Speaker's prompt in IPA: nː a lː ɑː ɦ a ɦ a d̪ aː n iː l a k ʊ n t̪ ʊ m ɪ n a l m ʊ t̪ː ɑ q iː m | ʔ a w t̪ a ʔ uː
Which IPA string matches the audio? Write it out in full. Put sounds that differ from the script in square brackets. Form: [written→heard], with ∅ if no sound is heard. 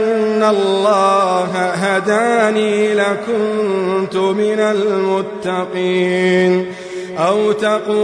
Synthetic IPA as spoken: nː a lː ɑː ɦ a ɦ a d̪ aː n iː l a k ʊ n t̪ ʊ m ɪ n a l m ʊ t̪ː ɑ q iː [m→n] | ʔ a w t̪ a [ʔ→q] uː